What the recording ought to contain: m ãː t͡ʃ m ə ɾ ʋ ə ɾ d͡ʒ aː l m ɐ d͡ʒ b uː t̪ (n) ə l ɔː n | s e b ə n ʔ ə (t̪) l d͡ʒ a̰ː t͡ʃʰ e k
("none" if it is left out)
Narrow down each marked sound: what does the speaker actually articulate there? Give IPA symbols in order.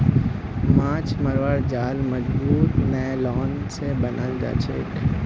n, none

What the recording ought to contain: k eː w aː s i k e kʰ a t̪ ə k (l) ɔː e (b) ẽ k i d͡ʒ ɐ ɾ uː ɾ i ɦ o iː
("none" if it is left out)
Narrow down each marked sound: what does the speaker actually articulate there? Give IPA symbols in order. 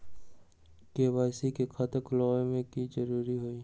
l, m

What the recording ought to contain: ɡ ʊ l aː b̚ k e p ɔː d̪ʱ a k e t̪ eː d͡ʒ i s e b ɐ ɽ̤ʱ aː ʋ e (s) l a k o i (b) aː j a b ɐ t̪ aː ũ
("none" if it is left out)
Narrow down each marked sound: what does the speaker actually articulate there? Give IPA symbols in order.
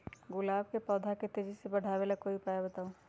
none, p

